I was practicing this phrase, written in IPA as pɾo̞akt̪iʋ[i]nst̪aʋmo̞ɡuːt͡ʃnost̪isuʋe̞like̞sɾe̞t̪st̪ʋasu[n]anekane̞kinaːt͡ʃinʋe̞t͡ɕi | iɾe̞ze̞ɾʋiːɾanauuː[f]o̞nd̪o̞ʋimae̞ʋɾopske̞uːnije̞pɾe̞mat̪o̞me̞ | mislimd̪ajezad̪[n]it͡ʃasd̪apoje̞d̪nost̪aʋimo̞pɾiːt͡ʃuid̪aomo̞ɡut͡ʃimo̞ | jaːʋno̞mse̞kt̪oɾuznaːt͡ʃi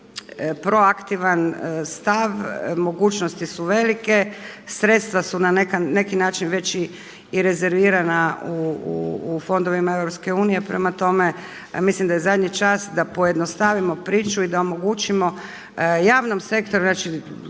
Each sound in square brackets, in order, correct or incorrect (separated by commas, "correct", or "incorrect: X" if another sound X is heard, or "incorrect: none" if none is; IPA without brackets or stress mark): incorrect: a, correct, correct, incorrect: ɲ